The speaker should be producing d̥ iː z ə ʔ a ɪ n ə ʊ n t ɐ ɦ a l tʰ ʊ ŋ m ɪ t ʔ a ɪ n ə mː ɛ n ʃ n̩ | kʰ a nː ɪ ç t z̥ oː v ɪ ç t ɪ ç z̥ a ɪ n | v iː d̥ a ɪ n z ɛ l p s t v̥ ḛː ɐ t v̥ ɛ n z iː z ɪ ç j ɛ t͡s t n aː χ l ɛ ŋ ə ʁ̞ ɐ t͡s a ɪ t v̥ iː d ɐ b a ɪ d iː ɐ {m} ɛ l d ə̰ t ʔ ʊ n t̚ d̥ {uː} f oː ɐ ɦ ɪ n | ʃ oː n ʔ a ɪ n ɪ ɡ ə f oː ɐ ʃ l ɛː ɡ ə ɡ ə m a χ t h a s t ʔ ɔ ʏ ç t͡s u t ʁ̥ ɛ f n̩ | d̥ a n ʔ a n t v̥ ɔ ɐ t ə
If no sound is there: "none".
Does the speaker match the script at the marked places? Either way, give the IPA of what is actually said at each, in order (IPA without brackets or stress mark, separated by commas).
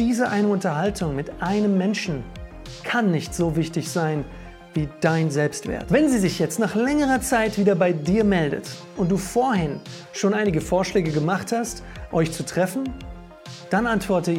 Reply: m, uː